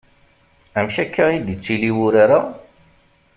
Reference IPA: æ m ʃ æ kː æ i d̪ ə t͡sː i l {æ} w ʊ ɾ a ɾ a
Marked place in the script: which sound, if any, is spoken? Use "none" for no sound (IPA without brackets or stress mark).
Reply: i